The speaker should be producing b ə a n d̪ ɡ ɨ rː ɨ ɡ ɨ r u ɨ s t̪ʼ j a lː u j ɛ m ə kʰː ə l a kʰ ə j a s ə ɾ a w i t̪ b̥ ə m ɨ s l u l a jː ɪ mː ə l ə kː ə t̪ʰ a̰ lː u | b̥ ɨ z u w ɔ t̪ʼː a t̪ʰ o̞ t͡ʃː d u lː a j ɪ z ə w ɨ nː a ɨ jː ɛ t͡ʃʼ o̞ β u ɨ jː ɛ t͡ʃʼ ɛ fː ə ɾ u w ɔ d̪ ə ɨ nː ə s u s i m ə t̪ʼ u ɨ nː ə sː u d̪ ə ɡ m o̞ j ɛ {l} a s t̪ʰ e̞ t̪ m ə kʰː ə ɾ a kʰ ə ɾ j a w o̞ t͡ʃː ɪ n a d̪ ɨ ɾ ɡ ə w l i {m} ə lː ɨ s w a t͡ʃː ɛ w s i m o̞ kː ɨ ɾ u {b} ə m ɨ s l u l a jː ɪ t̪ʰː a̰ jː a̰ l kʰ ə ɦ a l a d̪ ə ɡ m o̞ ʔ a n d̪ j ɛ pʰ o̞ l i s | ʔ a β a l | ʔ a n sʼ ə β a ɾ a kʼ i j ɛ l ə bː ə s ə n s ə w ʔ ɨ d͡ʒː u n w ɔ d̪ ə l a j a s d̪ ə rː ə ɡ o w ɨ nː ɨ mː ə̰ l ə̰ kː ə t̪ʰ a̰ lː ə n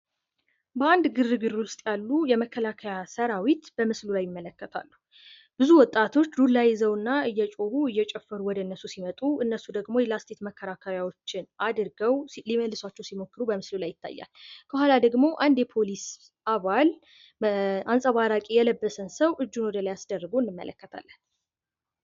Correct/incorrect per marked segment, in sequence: correct, correct, correct

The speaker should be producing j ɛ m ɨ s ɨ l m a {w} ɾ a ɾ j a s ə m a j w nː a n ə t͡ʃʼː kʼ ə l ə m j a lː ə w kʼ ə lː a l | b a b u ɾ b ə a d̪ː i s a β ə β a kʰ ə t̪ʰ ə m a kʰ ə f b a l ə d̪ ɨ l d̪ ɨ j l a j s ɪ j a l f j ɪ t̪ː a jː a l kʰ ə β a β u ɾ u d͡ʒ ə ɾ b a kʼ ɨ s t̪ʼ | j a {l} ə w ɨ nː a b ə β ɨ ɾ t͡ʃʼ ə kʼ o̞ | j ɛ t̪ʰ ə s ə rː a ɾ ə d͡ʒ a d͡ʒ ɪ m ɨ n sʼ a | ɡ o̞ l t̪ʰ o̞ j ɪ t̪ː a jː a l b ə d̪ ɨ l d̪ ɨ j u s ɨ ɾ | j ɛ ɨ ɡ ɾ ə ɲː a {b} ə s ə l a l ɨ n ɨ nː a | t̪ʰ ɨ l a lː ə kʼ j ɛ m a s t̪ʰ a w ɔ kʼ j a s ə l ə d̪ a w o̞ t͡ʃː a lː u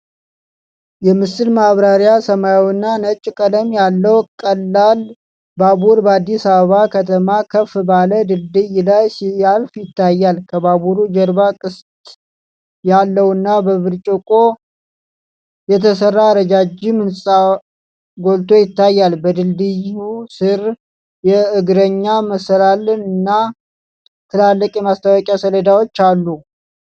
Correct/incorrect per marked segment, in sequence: incorrect, incorrect, incorrect

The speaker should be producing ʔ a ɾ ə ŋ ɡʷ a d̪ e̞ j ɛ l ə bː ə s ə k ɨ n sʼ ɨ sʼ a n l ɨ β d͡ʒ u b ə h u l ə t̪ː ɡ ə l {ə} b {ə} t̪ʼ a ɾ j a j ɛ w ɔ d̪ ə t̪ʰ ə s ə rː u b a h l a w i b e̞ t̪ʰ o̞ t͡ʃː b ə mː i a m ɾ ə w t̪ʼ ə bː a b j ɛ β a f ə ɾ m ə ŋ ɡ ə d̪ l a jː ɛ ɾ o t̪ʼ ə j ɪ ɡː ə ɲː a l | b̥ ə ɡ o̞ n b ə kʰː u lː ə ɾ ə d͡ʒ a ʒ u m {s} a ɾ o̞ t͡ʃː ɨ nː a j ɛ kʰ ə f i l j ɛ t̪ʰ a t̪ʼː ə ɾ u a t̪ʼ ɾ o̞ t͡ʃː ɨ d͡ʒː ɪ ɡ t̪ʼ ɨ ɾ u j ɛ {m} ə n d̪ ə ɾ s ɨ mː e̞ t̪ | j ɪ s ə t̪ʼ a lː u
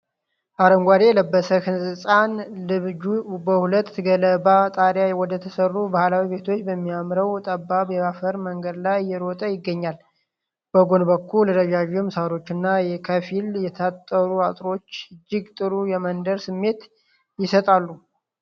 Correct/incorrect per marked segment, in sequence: correct, incorrect, correct, correct

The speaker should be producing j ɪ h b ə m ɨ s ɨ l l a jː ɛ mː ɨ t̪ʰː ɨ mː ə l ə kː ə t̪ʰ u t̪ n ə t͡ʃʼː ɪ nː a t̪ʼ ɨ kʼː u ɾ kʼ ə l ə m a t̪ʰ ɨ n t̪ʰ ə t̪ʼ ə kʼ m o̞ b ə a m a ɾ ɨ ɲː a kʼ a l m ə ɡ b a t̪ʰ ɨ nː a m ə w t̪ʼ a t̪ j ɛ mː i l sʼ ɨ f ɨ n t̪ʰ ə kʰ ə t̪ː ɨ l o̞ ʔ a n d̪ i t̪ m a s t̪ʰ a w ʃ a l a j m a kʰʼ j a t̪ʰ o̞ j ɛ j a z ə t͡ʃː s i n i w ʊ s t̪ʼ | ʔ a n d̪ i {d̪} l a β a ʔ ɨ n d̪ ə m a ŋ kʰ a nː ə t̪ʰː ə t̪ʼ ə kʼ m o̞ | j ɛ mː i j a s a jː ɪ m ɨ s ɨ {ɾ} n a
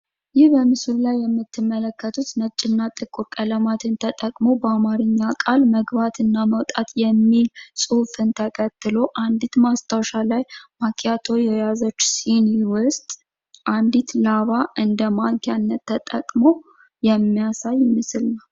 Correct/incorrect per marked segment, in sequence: incorrect, incorrect

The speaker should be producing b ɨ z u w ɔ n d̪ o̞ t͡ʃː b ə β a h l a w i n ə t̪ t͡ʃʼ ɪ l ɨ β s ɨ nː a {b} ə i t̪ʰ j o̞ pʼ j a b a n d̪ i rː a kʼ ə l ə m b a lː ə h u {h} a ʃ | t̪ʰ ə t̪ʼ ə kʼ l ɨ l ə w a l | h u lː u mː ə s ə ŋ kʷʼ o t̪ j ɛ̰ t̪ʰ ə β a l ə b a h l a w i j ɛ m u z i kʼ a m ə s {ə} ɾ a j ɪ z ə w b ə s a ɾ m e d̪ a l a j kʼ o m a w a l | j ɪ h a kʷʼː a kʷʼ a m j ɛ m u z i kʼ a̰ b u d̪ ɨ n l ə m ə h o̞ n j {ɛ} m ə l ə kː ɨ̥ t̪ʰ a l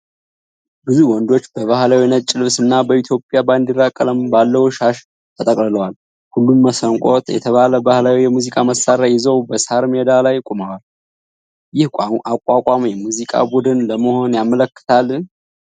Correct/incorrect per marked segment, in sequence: correct, incorrect, incorrect, incorrect

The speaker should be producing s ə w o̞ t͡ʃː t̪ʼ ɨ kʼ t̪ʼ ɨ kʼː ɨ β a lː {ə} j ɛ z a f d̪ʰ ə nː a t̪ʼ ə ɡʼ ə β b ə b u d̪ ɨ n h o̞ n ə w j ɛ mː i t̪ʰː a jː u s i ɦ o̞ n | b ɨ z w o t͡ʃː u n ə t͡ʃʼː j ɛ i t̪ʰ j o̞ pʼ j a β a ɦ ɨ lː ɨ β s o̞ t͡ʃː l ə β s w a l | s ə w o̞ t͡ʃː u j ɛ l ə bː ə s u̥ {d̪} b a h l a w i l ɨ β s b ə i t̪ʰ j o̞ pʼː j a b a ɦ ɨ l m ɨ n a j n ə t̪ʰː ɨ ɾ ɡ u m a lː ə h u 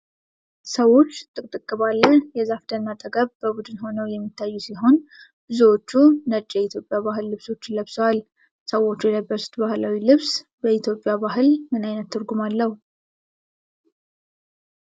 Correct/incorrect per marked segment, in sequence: correct, incorrect

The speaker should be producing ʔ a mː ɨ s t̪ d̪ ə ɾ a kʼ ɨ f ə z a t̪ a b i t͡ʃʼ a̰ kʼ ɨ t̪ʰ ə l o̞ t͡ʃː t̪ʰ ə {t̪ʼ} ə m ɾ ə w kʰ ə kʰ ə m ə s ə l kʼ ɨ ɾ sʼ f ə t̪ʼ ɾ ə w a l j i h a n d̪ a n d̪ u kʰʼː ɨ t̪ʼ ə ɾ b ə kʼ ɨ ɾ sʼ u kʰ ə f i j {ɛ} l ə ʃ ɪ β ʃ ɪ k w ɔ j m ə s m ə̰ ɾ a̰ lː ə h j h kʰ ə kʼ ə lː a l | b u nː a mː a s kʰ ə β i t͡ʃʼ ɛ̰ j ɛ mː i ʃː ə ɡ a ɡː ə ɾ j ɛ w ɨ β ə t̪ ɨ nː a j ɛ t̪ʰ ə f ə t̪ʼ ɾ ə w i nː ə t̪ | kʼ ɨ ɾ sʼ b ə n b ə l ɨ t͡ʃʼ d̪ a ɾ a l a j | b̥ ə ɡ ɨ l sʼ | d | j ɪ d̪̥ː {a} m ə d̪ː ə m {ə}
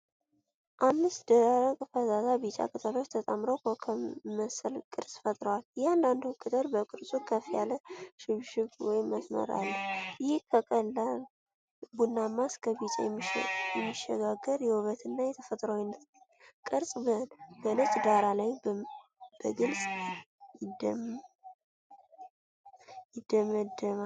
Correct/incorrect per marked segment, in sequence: correct, incorrect, incorrect, incorrect

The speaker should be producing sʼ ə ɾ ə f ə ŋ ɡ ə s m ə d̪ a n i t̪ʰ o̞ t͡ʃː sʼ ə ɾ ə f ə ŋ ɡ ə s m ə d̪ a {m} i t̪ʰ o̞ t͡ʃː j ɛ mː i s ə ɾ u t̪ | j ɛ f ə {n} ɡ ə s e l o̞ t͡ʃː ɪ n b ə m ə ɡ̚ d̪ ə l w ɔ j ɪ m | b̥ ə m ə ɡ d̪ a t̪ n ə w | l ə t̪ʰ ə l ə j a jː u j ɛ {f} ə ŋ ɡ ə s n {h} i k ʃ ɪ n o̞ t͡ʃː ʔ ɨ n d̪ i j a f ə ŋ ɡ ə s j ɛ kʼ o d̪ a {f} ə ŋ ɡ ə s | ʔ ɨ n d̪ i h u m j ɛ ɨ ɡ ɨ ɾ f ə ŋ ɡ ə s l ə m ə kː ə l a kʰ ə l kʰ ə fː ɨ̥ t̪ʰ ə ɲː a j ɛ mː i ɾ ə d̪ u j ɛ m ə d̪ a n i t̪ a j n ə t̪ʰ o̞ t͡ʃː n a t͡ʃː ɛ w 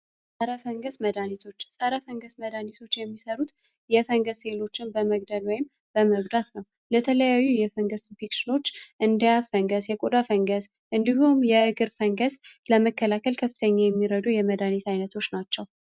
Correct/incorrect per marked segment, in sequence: incorrect, incorrect, correct, incorrect, correct

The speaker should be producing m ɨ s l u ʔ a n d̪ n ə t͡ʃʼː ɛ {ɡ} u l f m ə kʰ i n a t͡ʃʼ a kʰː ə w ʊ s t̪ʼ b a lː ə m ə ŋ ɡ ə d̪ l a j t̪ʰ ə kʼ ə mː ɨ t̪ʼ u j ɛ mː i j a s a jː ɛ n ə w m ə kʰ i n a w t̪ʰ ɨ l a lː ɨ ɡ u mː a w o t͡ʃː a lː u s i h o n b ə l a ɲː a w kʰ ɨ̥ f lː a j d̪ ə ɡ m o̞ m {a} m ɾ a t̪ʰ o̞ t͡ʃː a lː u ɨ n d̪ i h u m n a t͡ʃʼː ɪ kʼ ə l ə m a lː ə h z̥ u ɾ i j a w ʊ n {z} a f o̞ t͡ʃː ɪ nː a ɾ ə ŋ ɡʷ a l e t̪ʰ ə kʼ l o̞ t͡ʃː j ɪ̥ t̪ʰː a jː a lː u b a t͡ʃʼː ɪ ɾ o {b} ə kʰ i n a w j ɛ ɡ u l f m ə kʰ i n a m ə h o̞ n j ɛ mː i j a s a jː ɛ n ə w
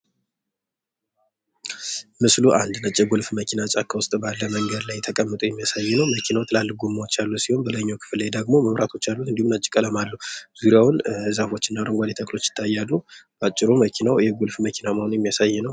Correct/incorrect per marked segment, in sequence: correct, incorrect, correct, incorrect

